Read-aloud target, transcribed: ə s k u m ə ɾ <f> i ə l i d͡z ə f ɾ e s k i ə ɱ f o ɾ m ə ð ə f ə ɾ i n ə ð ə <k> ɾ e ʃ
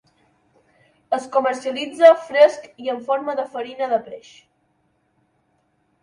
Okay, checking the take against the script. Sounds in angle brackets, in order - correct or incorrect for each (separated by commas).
incorrect, incorrect